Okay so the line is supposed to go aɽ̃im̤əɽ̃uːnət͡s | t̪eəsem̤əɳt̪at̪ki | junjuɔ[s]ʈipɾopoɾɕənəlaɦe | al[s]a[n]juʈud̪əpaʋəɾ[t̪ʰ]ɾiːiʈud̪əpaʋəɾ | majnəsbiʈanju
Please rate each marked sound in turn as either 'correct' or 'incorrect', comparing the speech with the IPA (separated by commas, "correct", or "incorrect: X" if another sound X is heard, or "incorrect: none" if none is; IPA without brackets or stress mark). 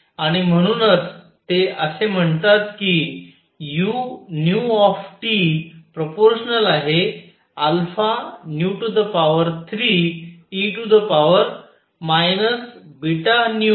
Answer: incorrect: f, incorrect: f, correct, correct